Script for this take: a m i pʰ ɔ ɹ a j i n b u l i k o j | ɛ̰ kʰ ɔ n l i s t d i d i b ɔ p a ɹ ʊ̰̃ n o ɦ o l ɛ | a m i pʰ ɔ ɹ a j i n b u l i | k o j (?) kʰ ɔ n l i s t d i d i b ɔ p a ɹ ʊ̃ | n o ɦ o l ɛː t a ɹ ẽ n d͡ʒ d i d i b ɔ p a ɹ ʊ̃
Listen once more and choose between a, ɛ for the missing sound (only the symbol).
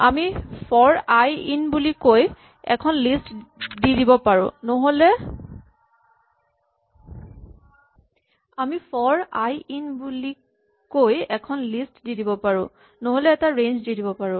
ɛ